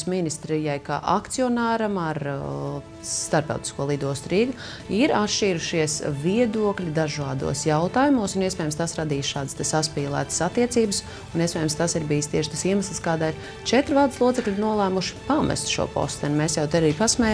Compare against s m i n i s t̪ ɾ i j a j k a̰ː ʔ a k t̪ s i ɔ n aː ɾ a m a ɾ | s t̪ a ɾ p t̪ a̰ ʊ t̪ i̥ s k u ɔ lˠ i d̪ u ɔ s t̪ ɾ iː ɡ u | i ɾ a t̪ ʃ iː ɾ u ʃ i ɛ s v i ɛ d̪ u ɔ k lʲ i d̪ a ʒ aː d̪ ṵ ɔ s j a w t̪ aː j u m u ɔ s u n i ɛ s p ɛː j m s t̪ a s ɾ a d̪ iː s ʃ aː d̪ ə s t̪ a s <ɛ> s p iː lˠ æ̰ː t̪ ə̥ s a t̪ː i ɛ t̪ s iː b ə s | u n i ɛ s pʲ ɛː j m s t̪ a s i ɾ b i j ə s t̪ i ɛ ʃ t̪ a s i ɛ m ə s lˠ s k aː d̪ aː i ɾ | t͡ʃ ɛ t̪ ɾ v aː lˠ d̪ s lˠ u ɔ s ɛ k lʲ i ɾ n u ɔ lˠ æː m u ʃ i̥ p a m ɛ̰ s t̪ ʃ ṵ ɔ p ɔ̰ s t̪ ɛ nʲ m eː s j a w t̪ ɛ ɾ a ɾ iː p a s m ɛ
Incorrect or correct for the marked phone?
incorrect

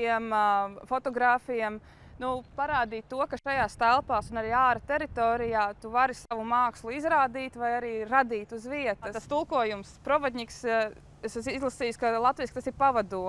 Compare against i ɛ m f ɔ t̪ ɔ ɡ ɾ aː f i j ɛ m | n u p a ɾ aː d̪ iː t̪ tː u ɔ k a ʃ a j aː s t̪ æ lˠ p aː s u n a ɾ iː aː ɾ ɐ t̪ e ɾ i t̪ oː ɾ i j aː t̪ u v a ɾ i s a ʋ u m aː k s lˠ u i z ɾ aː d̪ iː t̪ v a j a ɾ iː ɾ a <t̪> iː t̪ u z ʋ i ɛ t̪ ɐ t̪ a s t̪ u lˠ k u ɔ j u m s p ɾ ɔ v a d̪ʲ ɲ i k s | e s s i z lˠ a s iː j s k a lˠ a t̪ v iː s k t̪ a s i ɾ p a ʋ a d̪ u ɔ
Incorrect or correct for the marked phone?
incorrect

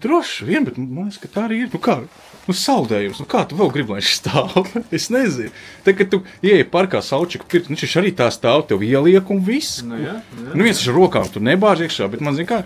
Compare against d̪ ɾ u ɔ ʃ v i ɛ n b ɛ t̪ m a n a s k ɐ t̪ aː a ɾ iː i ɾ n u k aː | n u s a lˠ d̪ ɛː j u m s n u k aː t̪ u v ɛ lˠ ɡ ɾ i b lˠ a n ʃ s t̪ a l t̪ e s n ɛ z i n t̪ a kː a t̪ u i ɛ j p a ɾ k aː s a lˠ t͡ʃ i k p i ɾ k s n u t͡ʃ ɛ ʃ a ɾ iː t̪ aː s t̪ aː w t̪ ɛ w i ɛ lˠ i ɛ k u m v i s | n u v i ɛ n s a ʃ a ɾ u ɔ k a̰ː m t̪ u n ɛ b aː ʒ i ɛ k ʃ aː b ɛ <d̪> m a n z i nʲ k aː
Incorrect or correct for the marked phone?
incorrect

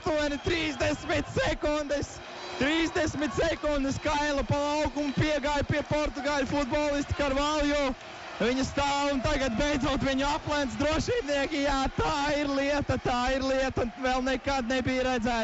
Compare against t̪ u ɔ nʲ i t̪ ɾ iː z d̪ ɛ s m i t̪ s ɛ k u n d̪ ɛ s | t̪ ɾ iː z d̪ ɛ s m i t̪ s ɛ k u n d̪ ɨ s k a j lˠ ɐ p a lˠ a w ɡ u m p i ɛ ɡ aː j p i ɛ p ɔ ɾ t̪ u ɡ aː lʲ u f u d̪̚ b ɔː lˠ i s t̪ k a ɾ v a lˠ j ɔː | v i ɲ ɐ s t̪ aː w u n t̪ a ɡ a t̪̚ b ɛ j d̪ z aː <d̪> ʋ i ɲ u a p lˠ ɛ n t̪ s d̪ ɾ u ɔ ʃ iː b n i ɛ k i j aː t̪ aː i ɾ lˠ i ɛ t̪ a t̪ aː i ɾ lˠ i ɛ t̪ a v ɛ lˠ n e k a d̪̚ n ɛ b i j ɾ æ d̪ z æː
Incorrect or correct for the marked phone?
incorrect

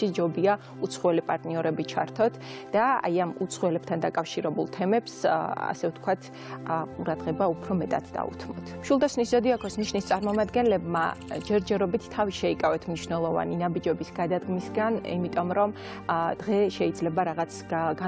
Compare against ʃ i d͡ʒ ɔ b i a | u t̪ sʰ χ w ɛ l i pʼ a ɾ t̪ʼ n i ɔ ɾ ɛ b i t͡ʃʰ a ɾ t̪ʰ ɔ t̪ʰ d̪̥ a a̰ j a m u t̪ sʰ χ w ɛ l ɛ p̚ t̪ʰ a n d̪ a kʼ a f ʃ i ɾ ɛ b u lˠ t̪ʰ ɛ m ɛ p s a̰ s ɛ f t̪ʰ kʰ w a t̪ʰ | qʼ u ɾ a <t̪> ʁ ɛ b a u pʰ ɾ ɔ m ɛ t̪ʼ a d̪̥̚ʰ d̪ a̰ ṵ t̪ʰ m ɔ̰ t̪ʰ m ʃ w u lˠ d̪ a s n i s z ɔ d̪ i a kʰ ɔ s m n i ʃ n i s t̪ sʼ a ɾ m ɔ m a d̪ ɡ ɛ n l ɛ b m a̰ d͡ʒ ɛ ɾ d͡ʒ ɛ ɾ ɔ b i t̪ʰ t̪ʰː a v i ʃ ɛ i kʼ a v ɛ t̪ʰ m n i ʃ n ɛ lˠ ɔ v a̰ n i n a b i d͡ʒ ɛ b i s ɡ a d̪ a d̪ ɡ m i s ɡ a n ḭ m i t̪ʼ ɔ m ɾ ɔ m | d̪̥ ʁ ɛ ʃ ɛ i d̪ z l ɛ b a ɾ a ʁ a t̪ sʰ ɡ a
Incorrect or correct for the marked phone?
incorrect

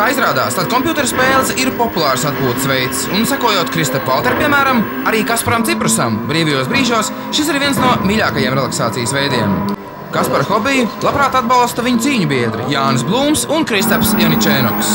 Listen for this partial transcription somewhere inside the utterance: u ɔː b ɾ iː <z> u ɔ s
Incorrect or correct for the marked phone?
incorrect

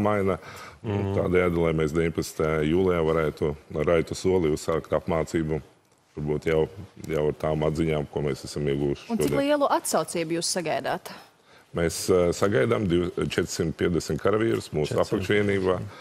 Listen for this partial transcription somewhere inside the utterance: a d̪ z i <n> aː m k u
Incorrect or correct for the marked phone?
incorrect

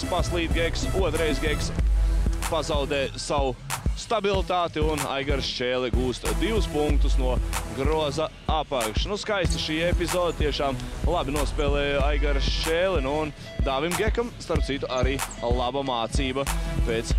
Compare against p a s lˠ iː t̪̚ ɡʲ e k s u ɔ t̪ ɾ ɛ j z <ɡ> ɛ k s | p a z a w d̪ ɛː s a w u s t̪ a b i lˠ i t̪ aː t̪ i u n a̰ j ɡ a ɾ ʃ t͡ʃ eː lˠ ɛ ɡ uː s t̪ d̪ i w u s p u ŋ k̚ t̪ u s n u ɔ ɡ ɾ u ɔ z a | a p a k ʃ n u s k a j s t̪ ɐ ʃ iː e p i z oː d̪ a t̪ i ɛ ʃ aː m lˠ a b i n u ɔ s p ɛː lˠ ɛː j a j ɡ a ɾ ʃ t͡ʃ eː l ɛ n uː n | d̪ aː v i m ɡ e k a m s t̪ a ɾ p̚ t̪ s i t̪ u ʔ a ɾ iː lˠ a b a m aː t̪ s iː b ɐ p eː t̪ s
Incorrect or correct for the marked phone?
correct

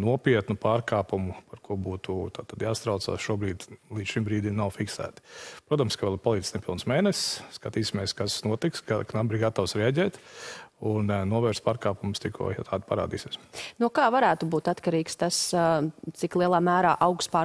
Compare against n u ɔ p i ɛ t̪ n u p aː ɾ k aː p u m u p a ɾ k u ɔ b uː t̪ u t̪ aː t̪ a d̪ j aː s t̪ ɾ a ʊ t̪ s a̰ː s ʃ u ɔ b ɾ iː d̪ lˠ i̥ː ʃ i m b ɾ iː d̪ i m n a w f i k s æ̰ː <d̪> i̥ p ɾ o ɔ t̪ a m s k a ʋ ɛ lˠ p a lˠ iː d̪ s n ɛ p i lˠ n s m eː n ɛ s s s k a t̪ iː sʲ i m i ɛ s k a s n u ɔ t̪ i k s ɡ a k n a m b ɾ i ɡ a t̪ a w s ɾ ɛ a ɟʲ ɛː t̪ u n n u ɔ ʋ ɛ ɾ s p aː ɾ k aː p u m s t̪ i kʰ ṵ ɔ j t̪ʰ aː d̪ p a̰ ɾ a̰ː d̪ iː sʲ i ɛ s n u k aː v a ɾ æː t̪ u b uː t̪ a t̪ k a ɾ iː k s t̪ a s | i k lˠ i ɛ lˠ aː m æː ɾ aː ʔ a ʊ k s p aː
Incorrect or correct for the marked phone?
incorrect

